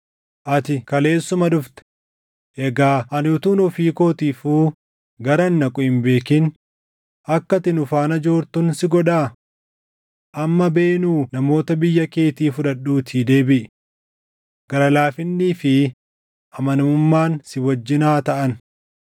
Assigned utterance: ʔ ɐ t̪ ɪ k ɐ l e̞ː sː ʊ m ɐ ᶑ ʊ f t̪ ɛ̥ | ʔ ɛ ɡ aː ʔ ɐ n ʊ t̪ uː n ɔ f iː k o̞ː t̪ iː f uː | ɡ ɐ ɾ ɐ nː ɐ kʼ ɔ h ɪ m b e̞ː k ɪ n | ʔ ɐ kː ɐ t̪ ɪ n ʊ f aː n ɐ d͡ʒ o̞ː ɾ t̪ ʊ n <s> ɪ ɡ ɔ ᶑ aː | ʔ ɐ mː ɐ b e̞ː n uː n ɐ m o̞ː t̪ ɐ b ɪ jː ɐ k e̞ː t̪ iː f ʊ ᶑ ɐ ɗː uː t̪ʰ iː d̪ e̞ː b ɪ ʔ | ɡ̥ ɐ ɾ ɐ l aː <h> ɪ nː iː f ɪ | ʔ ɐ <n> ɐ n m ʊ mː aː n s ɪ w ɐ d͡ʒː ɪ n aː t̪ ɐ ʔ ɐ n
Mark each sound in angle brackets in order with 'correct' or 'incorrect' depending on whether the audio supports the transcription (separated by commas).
correct, incorrect, incorrect